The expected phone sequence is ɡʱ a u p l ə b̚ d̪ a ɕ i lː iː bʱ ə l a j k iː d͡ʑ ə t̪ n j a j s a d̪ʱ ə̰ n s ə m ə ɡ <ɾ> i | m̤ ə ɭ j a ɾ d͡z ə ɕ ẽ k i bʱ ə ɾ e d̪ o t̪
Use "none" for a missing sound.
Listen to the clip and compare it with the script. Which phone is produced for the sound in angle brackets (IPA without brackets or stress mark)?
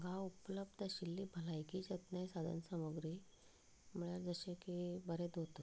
ɾ